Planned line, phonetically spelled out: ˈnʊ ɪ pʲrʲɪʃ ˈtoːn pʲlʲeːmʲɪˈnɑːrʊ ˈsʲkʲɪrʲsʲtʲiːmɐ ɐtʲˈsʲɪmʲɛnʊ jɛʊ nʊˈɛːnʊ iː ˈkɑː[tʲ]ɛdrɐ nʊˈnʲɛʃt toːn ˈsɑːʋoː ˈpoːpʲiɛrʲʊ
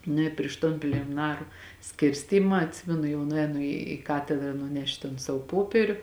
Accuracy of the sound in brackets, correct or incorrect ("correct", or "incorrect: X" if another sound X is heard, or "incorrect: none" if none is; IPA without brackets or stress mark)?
correct